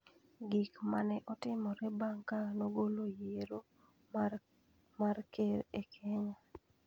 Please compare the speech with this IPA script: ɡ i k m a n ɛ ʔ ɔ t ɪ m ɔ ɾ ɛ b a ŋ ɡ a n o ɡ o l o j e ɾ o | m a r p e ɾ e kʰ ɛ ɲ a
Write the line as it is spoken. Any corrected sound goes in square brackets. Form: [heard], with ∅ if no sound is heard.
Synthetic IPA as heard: ɡ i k m a n ɛ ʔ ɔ t ɪ m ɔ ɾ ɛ b a ŋ [k] a n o ɡ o l o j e ɾ o | m a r [k] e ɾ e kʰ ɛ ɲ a